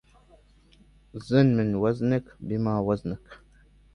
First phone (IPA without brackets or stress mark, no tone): z